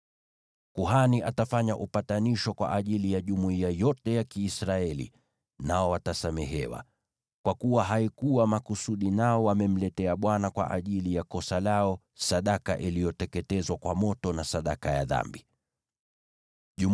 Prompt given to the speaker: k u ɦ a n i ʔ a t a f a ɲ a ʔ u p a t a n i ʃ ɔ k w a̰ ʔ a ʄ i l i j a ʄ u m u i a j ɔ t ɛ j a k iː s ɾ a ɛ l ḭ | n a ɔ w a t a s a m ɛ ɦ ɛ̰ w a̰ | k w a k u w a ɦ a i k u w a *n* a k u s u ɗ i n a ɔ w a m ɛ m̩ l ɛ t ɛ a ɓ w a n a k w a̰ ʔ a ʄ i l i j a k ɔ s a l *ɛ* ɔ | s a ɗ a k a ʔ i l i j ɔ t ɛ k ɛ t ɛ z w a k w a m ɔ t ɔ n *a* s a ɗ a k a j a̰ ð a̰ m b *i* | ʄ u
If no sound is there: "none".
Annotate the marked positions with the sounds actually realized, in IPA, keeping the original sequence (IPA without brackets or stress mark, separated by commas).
m, a, a, i